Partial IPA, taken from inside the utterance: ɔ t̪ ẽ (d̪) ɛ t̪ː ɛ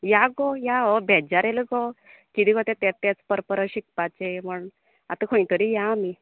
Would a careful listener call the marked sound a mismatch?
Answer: yes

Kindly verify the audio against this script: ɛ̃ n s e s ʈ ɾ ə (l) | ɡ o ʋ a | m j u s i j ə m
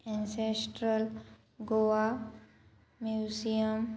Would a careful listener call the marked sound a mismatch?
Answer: no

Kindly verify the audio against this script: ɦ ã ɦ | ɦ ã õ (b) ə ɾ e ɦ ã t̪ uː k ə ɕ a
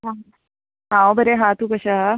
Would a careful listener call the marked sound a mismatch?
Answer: no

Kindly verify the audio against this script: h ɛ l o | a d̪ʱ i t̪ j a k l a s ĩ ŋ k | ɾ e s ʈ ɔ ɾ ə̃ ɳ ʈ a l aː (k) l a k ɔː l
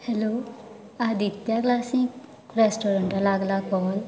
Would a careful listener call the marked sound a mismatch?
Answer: yes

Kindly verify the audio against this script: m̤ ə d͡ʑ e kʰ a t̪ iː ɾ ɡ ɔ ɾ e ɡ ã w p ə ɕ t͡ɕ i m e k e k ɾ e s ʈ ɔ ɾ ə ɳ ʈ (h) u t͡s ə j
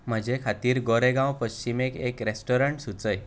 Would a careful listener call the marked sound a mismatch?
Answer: yes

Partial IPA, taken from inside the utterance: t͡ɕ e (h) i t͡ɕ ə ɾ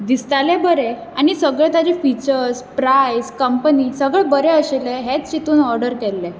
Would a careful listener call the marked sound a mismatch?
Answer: yes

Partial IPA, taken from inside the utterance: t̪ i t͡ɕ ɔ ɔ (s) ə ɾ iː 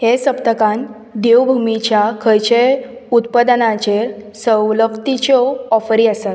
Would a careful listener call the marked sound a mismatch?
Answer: yes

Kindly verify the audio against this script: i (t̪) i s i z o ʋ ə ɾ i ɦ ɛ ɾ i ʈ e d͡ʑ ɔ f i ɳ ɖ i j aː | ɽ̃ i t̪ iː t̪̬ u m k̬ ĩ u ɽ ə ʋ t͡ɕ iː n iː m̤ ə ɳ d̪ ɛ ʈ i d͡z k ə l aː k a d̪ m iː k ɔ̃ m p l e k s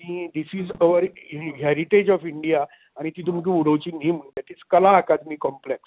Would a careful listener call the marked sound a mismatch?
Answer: yes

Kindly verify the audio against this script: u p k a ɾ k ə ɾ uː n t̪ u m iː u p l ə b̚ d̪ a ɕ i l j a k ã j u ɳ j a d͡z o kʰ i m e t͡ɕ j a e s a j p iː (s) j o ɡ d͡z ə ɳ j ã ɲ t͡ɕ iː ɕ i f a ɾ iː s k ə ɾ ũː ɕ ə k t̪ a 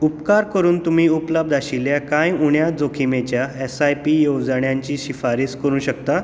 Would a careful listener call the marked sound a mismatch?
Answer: yes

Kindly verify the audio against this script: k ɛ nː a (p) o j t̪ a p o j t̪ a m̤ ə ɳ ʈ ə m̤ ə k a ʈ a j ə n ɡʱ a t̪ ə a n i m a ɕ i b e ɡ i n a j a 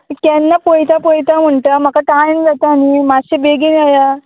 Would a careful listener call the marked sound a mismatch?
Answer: no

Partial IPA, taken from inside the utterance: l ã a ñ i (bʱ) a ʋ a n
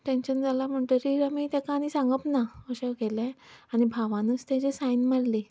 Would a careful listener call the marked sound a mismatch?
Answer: no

